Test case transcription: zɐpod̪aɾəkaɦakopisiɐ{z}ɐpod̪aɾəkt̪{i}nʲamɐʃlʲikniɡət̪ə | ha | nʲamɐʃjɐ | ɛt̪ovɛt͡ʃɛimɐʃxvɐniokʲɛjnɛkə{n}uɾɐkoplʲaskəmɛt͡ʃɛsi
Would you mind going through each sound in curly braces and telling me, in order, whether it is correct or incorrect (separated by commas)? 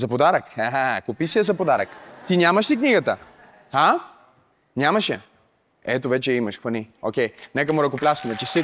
correct, correct, incorrect